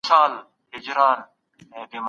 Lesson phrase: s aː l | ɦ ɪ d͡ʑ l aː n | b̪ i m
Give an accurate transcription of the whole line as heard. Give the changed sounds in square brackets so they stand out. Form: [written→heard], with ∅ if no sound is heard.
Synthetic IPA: s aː l | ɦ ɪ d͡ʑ [l→ɾ] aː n | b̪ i m